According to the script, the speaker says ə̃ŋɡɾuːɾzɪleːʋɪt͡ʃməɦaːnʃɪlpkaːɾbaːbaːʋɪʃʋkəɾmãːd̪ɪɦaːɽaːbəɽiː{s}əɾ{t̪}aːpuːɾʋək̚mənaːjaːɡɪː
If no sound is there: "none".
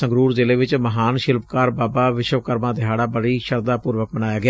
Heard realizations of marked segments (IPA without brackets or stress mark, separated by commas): ʃ, d̪